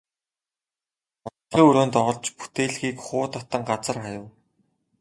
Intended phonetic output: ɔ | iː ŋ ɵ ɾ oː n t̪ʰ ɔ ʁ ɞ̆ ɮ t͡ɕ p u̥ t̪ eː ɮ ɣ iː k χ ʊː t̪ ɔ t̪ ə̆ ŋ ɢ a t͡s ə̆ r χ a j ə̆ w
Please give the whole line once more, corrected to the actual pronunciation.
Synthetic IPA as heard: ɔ | iː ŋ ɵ ɾ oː n t̪ ɔ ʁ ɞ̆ ɮ t͡ɕ p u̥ t̪ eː ɮ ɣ iː k χ ʊː t̪ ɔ t̪ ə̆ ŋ ɢ a t͡s ə̆ r χ a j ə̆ w